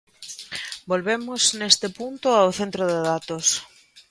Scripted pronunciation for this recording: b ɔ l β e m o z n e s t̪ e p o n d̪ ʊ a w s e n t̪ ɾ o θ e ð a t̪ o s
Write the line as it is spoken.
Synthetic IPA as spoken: b o l β e m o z n e s t̪ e p u n t̪ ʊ a w θ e n t̪ ɾ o ð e ð a t̪ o s